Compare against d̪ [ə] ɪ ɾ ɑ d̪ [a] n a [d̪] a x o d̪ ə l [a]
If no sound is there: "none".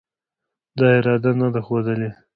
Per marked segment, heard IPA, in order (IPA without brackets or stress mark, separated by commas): ɑ, a, d̪, e